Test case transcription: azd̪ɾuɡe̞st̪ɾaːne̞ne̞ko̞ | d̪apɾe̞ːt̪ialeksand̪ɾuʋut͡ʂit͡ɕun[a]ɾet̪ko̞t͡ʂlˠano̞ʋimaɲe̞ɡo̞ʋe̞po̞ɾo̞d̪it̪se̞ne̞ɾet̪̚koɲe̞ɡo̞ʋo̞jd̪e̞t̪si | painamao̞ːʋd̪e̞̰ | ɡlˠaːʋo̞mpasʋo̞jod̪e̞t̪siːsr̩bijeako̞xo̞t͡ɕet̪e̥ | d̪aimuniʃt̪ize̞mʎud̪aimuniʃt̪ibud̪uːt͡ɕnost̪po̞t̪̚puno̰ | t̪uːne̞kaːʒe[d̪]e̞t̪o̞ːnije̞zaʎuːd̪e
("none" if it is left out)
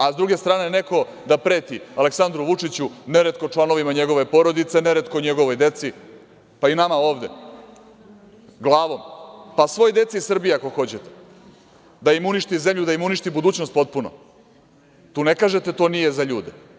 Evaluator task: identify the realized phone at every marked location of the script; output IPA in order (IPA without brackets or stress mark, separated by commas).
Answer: e, t̪